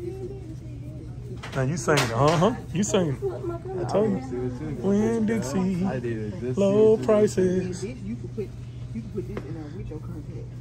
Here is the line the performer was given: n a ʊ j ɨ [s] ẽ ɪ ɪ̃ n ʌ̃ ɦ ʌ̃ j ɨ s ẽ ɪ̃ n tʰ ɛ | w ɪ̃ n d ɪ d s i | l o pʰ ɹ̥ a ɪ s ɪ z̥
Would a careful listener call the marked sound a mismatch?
no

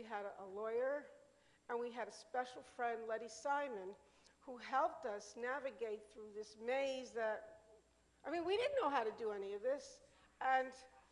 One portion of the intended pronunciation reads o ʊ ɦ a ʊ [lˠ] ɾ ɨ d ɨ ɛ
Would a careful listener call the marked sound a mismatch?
yes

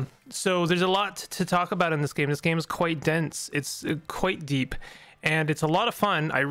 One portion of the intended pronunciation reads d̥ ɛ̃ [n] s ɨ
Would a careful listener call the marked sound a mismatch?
no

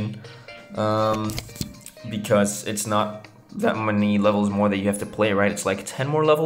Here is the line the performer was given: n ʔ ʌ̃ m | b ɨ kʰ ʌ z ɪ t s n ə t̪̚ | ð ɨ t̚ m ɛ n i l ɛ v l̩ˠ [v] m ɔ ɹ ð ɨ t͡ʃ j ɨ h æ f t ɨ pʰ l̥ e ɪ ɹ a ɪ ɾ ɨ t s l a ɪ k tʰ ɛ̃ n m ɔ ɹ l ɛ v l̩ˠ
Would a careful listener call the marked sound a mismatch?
yes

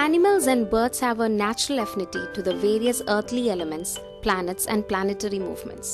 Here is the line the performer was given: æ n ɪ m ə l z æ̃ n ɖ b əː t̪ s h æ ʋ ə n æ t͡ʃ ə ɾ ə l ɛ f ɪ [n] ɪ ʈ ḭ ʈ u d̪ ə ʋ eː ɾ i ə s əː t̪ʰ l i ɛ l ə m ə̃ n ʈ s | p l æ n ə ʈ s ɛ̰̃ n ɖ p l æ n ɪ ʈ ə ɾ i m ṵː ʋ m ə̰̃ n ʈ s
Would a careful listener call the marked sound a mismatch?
no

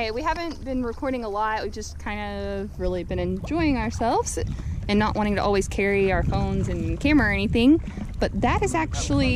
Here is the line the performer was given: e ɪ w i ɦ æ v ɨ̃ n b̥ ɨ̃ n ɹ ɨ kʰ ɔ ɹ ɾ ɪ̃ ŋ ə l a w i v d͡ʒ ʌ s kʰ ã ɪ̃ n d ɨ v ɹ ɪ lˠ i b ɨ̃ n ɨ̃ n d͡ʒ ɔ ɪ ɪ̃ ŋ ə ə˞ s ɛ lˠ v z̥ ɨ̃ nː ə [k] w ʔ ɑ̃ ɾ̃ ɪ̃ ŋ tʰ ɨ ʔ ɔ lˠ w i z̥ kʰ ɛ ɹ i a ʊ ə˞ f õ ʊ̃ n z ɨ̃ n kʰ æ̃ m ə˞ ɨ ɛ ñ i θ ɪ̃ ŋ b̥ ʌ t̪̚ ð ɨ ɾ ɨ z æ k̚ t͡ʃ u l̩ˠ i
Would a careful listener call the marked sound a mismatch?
yes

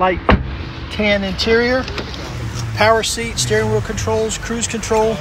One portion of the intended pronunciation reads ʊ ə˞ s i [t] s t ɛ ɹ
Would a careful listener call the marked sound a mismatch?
no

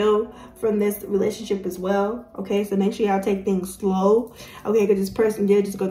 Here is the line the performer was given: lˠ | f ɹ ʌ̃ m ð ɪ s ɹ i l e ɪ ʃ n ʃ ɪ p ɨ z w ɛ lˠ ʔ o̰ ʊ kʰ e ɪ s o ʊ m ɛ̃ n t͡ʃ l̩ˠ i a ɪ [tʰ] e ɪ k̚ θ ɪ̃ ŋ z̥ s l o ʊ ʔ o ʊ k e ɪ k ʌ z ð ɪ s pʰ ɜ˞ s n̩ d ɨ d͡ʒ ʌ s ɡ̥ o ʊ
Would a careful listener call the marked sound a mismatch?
no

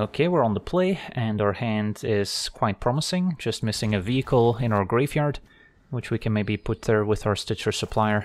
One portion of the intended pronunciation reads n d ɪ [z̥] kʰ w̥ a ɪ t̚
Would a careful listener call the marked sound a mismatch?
no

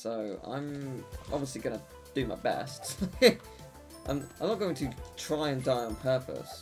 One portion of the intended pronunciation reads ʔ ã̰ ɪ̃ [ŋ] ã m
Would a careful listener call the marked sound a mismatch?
yes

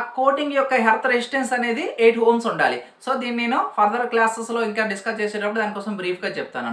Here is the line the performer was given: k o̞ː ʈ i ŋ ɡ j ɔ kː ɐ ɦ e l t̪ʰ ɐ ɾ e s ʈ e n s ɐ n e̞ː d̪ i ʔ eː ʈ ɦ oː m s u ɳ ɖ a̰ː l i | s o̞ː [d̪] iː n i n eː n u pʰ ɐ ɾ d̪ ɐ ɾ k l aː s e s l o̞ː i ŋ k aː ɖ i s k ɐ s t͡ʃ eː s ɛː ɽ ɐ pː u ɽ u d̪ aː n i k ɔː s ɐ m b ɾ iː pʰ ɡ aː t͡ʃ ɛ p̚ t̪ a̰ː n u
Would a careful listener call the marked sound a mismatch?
no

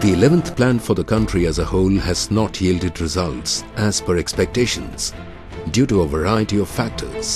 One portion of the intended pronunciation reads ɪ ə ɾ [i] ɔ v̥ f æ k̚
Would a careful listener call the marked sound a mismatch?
no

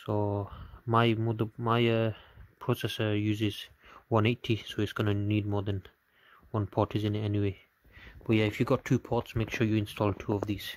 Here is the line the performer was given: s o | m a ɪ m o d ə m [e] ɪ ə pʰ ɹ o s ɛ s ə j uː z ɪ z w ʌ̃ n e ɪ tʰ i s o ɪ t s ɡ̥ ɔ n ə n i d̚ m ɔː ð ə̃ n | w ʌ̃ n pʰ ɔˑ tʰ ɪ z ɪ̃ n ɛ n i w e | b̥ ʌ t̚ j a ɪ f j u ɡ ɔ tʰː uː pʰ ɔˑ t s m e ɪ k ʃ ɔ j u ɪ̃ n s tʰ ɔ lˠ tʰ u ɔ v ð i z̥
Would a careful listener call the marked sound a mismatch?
yes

